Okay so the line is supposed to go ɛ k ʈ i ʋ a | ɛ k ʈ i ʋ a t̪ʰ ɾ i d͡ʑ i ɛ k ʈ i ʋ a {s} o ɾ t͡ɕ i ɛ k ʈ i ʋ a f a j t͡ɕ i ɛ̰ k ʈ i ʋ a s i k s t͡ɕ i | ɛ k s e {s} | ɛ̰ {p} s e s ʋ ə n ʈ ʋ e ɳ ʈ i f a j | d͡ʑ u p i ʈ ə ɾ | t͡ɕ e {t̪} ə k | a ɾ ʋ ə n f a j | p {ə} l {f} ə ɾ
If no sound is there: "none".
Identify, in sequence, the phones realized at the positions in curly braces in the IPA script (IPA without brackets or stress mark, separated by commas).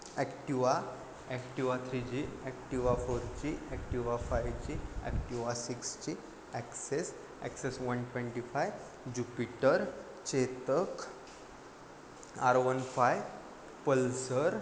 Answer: f, s, k, t̪, ə, s